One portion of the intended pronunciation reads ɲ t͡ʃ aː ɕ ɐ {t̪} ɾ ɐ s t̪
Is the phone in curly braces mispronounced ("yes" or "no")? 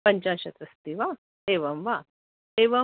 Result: no